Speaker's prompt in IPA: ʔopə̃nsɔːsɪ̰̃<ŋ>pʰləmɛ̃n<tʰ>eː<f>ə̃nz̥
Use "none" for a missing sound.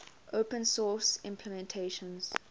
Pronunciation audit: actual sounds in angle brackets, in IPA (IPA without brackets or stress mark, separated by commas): m, tʰ, ʃ